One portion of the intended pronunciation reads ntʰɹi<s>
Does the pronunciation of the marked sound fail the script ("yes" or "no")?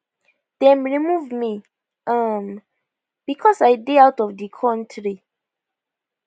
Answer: yes